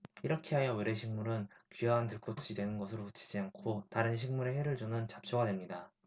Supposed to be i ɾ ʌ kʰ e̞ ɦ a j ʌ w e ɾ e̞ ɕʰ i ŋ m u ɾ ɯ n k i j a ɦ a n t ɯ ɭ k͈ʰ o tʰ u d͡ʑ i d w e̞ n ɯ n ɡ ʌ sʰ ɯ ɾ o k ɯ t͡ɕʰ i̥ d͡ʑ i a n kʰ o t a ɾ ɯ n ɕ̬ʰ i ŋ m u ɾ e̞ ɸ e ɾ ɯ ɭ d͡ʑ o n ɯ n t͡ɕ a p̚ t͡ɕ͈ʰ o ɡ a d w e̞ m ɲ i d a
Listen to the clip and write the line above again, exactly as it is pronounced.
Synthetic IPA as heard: i ɾ ʌ kʰ e̞ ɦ a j ʌ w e ɾ e̞ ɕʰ i ŋ m u ɾ ɯ n k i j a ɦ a n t ɯ ɭ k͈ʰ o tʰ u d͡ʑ i d w e̞ n ɯ n ɡ ʌ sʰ ɯ ɾ o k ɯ t͡ɕʰ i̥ d͡ʑ i a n kʰ o t a ɾ ɯ n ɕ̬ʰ i ŋ m u ɾ e̞ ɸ e ɾ ɯ ɭ d͡ʑ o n ɯ n t͡ɕ a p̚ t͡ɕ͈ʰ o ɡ a d w e̞ m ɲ i d a